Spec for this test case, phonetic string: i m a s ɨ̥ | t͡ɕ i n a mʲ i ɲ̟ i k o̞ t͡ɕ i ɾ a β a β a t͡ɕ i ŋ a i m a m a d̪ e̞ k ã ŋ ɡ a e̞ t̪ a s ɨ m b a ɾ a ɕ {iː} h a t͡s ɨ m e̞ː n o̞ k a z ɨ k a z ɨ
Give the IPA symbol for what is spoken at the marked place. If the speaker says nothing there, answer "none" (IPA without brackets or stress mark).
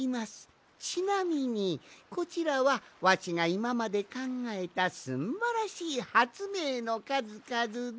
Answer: iː